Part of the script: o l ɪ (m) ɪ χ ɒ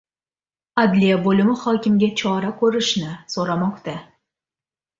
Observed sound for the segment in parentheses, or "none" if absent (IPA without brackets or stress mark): m